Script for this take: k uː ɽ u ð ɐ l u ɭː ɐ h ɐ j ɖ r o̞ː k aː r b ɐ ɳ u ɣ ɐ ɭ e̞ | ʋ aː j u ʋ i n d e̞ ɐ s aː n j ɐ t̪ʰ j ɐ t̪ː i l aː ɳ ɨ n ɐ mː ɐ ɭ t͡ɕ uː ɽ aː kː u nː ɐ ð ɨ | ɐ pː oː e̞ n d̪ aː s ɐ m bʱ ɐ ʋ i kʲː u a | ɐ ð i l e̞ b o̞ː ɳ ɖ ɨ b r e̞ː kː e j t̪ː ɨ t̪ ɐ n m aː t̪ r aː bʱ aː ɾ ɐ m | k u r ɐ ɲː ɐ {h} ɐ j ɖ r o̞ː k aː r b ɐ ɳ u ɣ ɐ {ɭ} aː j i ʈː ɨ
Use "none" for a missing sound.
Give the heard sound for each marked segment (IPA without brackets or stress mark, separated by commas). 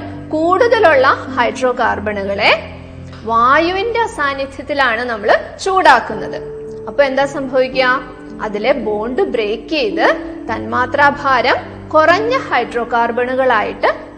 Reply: h, ɭ